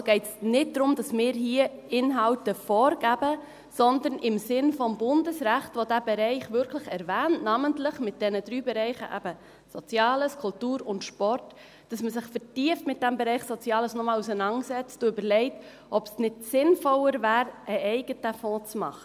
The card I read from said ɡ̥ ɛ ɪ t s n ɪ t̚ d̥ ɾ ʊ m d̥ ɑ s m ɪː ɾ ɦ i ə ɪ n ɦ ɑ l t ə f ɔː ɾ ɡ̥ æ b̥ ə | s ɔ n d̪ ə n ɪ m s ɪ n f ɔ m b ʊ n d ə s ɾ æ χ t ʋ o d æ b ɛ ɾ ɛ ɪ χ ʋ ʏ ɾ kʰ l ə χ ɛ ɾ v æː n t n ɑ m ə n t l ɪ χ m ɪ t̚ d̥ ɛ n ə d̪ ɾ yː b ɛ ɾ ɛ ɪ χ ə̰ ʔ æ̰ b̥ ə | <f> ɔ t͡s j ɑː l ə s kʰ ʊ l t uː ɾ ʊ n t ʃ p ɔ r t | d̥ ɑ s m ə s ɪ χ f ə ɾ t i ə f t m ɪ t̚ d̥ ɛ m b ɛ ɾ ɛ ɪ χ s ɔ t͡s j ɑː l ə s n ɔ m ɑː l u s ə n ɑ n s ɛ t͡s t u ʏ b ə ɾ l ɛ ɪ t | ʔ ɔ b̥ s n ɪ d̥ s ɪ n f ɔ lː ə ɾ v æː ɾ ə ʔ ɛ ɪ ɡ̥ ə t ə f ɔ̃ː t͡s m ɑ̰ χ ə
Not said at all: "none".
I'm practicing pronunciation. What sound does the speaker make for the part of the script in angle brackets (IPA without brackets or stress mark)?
s